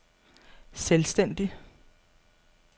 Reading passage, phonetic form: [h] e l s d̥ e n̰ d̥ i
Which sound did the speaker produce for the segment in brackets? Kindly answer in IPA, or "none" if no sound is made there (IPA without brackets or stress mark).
s